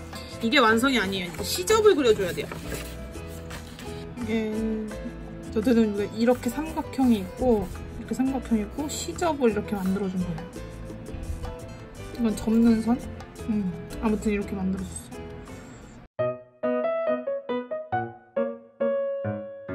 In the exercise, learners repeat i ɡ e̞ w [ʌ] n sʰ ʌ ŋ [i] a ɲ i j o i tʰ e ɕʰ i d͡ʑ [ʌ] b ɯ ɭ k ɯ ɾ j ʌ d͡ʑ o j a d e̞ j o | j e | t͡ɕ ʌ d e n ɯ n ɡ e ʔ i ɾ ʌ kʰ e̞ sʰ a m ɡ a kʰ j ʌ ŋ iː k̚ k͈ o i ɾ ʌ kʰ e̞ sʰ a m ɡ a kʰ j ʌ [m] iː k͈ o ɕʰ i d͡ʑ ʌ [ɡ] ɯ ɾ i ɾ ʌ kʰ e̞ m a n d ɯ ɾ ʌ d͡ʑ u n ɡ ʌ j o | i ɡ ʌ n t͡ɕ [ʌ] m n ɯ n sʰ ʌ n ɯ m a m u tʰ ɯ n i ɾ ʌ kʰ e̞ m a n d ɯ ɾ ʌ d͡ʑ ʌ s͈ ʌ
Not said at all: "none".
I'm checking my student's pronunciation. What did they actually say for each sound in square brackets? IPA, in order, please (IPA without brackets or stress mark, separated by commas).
a, i, ʌ, ŋ, b, ʌ